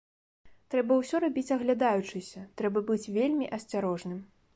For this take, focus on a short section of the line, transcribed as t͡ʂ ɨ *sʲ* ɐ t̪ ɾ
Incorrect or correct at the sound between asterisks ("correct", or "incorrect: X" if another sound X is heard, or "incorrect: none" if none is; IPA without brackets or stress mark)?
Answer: correct